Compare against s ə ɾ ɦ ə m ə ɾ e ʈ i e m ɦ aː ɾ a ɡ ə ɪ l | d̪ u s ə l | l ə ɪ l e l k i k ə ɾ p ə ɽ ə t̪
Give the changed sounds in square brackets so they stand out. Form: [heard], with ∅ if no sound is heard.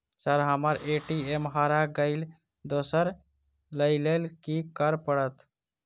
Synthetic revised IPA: s ə ɾ ɦ ə m ə ɾ e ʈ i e m ɦ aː ɾ a ɡ ə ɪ l | d̪ [o] s ə [ɾ] | l ə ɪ l e l k i k ə ɾ p ə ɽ ə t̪